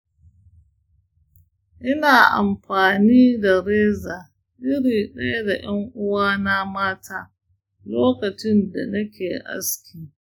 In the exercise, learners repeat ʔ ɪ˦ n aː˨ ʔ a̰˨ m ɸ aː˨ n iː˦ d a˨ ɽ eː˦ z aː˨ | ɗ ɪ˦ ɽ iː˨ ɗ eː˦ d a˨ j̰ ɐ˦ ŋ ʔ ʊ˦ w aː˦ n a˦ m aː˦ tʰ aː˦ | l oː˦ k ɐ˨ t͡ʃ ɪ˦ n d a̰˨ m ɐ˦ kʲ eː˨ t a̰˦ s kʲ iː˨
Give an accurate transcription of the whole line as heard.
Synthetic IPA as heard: ʔ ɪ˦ n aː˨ ʔ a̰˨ m ɸ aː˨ n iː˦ d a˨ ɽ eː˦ z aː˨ | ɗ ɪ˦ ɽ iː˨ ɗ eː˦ d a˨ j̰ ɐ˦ ŋ ʔ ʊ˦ w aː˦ n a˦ m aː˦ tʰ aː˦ | l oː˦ k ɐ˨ t͡ʃ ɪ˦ n d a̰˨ n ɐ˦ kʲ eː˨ ʔ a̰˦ s kʲ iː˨

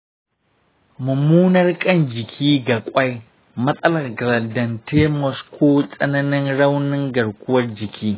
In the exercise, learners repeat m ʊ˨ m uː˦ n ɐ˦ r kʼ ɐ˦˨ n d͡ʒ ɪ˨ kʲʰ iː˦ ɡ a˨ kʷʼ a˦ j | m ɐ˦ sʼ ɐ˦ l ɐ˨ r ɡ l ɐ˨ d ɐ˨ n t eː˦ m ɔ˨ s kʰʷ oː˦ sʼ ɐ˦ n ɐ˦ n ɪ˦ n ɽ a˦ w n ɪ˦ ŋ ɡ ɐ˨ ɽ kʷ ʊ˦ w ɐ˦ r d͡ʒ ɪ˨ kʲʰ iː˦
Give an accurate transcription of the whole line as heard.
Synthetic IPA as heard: m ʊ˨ m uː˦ n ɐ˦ r kʼ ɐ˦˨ n d͡ʒ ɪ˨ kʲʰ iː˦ ɡ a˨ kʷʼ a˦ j | m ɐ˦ sʼ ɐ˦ l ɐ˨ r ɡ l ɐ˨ d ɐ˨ n t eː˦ m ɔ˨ s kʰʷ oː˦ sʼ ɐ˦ n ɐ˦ n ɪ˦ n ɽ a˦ w n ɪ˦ ŋ ɡ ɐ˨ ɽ kʷ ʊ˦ w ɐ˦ r d͡ʒ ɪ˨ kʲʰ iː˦

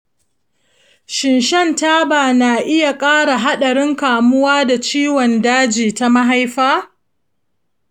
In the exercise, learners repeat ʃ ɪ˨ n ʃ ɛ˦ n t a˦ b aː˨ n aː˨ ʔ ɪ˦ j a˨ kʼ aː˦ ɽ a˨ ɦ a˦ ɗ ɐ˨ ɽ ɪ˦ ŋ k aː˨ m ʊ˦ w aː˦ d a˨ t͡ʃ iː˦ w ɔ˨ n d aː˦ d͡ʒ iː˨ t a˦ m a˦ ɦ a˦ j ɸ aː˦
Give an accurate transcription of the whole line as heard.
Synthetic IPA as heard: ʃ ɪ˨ n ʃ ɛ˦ n t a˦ b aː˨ n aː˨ ʔ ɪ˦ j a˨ kʼ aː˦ ɽ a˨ ɦ a˦ ɗ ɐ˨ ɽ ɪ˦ ŋ k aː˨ m ʊ˦ w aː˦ d a˨ t͡ʃ iː˦ w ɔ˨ n d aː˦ d͡ʒ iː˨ t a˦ m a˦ ɦ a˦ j ɸ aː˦

